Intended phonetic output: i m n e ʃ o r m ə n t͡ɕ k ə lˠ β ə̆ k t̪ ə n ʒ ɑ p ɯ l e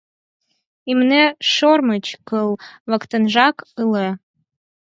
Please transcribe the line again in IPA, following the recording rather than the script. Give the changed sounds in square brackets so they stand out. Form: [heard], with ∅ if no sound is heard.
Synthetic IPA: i m n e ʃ o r m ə [∅] t͡ɕ k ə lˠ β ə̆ k t̪ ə n ʒ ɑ [k] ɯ l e